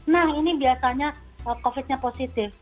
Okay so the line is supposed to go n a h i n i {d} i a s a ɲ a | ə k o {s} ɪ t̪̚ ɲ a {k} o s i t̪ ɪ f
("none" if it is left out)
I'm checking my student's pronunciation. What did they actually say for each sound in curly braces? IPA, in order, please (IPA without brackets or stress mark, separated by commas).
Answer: b, f, p